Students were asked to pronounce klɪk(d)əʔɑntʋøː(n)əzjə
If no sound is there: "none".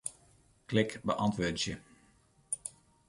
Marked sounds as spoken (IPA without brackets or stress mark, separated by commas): b, d